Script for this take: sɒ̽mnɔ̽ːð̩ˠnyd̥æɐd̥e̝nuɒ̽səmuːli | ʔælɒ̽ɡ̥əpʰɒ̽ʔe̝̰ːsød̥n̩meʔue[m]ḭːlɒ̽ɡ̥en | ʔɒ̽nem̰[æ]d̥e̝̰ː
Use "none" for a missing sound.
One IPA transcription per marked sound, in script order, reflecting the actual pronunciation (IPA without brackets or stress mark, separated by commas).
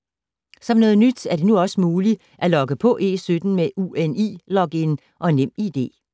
n, i